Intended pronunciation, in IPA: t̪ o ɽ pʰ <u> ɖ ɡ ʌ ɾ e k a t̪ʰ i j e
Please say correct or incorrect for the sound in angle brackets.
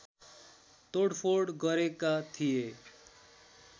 incorrect